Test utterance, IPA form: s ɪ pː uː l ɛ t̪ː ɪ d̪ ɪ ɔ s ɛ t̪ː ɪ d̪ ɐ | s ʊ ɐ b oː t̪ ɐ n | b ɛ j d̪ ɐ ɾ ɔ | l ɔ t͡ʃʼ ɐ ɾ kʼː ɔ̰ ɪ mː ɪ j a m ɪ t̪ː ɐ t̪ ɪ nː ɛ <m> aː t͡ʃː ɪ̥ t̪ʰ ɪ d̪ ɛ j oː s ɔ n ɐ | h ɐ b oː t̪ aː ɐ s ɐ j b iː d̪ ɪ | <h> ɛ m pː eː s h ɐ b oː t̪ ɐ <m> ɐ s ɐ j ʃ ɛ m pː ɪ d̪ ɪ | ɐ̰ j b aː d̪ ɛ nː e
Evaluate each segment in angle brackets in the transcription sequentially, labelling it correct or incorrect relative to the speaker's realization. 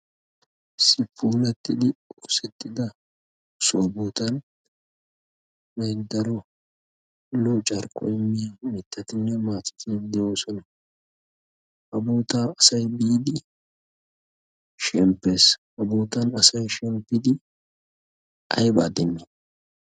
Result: correct, incorrect: ʃ, incorrect: n

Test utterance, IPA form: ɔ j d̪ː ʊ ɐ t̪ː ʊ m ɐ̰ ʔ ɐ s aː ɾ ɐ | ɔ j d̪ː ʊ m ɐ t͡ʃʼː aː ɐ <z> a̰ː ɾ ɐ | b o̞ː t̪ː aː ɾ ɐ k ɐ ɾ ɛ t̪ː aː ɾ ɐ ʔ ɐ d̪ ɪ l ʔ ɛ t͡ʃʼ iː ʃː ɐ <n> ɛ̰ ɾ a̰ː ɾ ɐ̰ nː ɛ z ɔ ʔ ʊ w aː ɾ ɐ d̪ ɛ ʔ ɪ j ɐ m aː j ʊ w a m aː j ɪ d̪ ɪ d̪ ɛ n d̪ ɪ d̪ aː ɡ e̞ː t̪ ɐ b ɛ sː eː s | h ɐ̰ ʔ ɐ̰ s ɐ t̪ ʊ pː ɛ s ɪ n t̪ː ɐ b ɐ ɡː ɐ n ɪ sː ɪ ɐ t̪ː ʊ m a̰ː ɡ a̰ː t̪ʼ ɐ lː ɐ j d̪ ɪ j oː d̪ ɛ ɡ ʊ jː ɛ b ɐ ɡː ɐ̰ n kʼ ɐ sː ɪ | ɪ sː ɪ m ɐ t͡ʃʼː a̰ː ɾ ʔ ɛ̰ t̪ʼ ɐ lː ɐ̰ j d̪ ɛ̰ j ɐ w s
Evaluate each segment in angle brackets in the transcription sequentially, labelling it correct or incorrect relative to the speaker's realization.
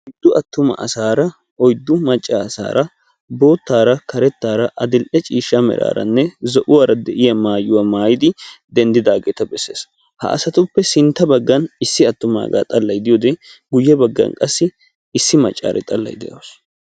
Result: incorrect: s, incorrect: m

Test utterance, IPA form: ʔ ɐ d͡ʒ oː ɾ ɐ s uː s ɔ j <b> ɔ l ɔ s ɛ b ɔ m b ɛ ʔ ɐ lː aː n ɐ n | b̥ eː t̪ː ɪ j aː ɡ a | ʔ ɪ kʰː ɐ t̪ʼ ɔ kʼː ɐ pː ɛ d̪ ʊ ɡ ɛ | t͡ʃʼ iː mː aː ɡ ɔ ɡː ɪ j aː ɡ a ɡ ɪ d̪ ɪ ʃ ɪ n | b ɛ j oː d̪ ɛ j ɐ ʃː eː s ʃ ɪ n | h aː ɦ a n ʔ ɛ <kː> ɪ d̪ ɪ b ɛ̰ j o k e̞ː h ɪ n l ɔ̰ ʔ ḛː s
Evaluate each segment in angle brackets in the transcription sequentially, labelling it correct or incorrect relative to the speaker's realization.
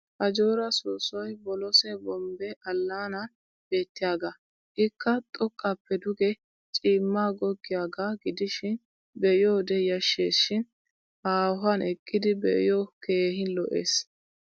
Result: correct, incorrect: kʼː

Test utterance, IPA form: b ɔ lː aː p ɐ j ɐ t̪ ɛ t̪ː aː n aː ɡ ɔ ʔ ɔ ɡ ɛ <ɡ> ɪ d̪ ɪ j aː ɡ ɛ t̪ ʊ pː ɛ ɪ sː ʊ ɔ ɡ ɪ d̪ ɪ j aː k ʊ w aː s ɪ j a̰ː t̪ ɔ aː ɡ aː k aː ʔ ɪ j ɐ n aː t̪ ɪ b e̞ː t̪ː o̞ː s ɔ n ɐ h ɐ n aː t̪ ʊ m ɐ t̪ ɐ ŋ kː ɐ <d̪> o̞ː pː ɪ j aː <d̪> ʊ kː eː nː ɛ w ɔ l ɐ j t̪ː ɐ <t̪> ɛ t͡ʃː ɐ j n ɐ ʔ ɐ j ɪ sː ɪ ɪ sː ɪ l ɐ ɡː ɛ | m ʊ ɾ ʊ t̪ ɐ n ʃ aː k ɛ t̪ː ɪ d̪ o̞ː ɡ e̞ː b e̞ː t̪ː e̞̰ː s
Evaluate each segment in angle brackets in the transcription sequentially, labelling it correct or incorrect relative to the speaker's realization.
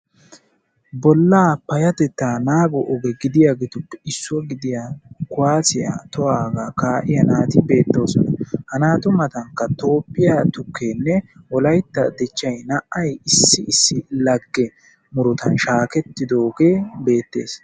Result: correct, incorrect: t̪, incorrect: t̪, incorrect: d̪

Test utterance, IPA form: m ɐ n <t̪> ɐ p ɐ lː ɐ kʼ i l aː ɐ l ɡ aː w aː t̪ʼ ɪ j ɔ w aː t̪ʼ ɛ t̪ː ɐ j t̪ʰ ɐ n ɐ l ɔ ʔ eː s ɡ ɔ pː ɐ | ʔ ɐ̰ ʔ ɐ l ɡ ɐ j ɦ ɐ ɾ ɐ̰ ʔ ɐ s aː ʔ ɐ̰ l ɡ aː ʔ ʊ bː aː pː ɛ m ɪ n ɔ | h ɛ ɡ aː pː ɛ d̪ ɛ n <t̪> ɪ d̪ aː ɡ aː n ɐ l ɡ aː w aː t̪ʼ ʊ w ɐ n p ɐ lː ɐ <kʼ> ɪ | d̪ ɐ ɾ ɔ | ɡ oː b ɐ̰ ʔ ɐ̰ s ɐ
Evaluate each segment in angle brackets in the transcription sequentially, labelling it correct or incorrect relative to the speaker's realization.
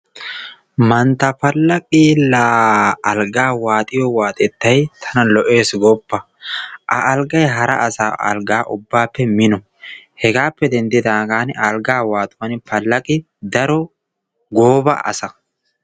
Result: correct, incorrect: d̪, correct

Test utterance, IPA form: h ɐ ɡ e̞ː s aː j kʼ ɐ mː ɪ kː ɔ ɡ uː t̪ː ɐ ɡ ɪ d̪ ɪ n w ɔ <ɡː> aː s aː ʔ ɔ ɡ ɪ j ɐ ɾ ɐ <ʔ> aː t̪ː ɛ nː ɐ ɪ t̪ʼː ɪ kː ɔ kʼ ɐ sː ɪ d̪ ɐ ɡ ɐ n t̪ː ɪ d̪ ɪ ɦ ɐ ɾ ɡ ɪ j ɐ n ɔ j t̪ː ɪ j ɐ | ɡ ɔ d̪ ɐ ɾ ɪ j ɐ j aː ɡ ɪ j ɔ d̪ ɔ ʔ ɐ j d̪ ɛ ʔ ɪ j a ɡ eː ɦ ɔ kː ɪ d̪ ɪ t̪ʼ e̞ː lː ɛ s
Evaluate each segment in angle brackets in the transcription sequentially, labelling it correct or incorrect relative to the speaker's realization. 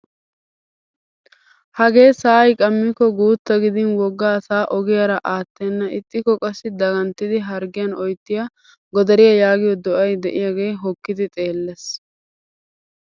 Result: correct, correct

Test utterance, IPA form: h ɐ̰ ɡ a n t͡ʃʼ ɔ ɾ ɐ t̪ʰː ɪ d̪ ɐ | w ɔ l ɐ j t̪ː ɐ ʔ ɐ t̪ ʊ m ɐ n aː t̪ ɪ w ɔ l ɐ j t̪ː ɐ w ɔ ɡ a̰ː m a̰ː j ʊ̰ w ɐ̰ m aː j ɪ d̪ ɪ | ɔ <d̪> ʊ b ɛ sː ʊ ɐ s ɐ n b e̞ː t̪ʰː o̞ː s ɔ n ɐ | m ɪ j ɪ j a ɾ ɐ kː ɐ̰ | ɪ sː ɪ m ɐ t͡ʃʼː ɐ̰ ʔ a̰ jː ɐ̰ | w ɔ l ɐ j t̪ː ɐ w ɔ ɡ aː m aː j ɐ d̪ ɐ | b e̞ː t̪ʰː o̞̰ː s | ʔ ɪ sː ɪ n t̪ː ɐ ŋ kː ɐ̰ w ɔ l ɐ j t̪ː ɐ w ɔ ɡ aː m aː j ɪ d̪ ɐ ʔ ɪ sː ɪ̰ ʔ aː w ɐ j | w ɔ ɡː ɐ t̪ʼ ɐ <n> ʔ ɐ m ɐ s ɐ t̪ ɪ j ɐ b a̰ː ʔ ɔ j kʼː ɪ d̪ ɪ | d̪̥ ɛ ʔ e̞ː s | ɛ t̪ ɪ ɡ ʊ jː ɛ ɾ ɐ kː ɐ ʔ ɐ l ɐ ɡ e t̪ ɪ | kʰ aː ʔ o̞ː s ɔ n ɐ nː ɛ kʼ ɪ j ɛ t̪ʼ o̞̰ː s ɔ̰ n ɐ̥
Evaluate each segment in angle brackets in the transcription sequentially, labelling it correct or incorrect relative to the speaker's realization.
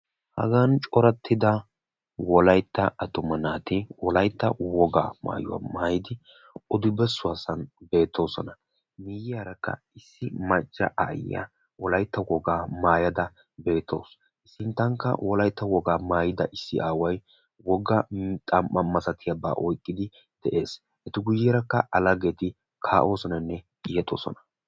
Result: correct, incorrect: m

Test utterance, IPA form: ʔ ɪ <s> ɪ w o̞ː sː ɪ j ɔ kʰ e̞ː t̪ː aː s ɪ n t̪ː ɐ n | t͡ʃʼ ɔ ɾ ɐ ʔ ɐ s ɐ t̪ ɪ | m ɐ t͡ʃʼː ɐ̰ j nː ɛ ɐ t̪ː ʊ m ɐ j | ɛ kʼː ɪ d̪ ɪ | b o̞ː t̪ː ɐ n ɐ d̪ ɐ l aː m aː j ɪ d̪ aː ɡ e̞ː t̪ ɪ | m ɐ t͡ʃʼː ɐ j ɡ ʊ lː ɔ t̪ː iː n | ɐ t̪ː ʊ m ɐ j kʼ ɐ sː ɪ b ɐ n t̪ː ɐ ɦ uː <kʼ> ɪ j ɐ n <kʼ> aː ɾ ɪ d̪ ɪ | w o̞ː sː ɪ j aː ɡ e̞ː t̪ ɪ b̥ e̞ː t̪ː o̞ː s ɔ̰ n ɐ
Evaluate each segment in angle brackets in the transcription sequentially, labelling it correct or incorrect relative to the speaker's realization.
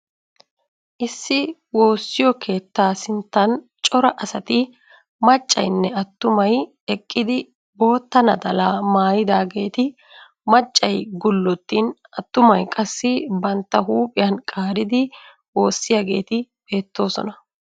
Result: incorrect: sː, incorrect: pʼ, correct

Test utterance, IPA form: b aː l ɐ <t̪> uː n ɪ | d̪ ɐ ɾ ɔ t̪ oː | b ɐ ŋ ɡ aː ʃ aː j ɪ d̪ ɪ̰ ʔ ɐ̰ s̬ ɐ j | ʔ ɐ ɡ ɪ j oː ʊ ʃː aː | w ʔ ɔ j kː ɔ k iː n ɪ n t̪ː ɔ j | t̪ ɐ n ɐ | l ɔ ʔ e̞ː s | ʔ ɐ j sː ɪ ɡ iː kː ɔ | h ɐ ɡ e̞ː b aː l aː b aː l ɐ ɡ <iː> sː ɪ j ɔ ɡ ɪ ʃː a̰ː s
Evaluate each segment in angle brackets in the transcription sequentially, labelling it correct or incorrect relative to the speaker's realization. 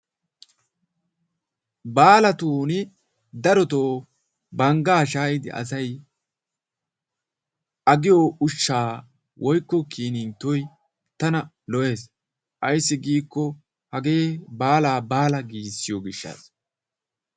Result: correct, correct

